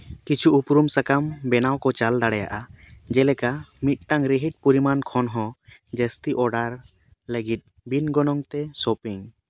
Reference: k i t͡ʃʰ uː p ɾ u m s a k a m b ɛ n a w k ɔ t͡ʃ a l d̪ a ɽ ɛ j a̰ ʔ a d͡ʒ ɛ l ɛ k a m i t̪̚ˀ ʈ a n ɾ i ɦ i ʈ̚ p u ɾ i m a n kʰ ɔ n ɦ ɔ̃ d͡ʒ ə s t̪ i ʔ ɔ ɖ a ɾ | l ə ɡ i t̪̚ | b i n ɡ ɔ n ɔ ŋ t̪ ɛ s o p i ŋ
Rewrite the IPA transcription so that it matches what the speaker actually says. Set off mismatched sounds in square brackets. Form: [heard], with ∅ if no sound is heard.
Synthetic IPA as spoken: k i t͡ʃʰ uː p ɾ u m s a k a m b ɛ n a w k ɔ t͡ʃ a l d̪ a ɽ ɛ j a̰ ʔ a d͡ʒ ɛ l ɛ k a m i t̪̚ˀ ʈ a [ŋ] ɾ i ɦ i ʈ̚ p u ɾ i m a n kʰ ɔ n ɦ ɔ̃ d͡ʒ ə s t̪ i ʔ ɔ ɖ a ɾ | l ə ɡ i t̪̚ | b i n ɡ ɔ n ɔ ŋ t̪ ɛ s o p i ŋ